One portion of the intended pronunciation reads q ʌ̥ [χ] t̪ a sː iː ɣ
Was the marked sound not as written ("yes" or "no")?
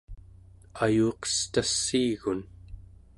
yes